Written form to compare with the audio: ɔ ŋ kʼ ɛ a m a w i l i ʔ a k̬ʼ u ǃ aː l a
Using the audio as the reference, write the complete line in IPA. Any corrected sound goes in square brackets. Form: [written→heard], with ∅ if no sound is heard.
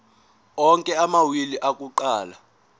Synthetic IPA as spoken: ɔ ŋ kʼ ɛ a m a w i l i ʔ a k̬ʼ u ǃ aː l a